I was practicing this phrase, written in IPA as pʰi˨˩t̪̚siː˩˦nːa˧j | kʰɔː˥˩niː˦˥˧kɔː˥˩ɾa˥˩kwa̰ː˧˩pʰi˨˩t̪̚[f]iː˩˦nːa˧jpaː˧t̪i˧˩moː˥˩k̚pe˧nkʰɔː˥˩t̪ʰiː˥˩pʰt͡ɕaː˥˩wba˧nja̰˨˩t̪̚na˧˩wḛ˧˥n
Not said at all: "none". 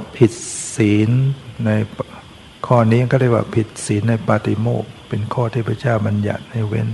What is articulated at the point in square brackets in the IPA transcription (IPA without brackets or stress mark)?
s